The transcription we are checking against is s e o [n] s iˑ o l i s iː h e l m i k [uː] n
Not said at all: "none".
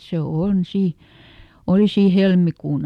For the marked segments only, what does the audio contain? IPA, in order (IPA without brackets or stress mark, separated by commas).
n, uː